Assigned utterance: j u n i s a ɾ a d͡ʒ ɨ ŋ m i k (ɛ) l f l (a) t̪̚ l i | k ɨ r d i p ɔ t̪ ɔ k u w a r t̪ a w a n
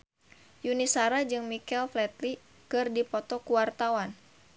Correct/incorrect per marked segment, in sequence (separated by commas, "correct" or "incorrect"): correct, incorrect